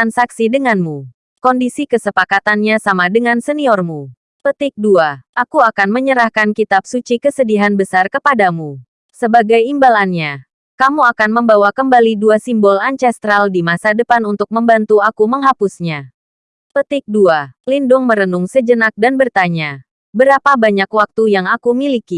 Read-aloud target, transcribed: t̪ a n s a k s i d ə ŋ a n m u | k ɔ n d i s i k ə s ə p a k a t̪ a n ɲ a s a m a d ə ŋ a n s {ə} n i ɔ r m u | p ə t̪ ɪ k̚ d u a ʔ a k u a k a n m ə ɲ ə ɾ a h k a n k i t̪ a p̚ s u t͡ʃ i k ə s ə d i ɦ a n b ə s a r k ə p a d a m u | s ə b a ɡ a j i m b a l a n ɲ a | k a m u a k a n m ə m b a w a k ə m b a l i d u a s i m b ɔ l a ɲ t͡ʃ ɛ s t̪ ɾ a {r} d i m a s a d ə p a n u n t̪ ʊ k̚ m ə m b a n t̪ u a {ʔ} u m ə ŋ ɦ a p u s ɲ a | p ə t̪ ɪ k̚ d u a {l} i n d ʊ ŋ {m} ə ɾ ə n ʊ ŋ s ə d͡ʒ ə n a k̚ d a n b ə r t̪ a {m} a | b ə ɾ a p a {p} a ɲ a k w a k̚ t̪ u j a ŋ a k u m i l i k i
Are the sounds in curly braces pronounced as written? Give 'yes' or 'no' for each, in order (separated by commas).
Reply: yes, no, no, yes, yes, no, no